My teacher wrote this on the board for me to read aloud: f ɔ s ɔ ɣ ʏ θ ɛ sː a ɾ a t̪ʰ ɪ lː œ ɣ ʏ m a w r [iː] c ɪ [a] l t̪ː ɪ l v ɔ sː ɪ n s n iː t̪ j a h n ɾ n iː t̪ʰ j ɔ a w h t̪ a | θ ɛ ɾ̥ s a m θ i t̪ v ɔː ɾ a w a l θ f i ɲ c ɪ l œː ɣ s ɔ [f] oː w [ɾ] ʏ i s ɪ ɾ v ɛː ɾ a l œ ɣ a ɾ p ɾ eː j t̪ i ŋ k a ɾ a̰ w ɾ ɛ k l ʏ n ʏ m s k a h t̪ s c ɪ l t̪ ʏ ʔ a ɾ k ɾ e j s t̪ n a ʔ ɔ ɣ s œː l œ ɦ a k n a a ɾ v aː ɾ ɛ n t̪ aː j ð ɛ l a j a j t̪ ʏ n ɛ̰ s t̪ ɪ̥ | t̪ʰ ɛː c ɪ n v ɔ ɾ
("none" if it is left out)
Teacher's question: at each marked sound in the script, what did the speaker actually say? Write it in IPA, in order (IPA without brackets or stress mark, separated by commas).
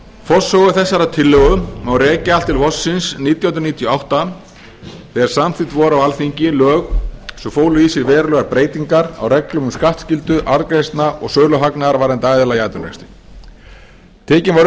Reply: ɛː, a, f, l